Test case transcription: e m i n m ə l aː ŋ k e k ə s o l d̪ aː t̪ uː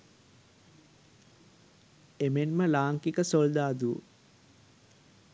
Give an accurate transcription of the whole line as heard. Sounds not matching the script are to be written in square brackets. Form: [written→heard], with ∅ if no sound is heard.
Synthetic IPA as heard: e m [i→e] n m ə l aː ŋ k [e→i] k ə s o l d̪ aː [t̪→d̪] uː